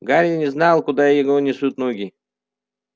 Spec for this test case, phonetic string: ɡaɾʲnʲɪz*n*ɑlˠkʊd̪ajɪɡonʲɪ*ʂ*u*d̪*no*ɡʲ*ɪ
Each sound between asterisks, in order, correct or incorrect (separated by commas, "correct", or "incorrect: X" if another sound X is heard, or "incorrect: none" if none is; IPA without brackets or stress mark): correct, incorrect: s, incorrect: t̪, correct